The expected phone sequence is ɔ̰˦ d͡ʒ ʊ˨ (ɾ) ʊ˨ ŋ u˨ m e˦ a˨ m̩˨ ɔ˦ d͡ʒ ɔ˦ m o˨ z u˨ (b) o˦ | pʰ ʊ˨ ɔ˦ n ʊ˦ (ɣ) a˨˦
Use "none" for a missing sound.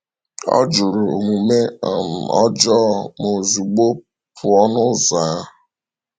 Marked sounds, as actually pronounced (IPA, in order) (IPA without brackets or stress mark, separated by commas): ɾ, ɡ͡b, z